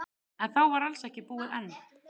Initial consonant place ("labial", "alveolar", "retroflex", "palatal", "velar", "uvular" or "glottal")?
alveolar